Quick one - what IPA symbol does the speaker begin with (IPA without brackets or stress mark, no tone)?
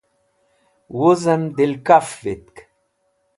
w